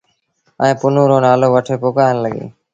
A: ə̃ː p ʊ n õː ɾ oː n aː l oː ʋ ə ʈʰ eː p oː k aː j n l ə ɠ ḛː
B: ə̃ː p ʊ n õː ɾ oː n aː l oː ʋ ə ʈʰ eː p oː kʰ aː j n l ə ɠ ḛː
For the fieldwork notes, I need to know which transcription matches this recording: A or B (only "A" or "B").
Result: A